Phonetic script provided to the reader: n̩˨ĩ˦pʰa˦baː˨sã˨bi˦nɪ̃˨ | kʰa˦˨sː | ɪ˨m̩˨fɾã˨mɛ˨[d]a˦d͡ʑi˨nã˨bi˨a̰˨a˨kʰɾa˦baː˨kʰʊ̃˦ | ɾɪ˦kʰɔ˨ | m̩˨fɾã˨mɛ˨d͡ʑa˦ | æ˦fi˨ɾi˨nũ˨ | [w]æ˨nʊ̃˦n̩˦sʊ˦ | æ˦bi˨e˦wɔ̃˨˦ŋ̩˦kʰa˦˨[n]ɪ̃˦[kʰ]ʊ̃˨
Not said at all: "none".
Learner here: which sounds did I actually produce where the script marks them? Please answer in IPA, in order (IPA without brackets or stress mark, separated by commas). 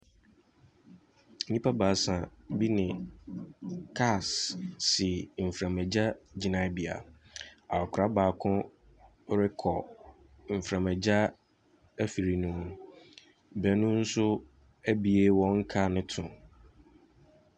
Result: d͡ʑ, b, n, tʰ